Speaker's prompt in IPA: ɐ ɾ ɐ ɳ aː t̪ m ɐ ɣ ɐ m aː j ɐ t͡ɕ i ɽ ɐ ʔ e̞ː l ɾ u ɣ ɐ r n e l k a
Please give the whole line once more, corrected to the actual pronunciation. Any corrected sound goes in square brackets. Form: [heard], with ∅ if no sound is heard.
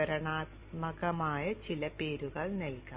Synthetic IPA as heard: ɐ ɾ ɐ ɳ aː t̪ m ɐ ɣ ɐ m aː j ɐ t͡ɕ i [l] ɐ [p] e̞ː [∅] ɾ u ɣ ɐ [ɭ] n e l k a